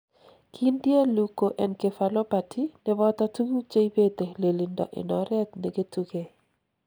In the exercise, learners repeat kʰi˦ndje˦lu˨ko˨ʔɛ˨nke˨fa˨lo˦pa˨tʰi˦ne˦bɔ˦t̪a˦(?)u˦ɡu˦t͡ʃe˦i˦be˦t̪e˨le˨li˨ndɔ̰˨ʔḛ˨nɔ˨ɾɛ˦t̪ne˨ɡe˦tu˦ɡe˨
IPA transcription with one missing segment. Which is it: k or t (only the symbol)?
t